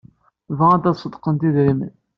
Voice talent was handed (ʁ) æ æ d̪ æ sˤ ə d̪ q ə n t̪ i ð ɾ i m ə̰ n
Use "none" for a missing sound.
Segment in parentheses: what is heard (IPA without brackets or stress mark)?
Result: v